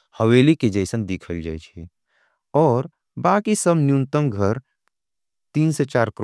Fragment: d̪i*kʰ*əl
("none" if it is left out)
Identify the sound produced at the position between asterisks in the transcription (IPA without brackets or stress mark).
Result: kʰ